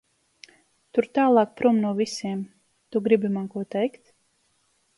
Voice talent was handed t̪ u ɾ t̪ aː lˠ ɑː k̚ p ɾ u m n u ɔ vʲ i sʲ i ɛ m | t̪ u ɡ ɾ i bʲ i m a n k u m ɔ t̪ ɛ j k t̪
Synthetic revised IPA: t̪ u ɾ t̪ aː lˠ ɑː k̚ p ɾ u m n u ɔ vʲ i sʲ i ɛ m | t̪ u ɡ ɾ i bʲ i m a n k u ɔ t̪ ɛ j k t̪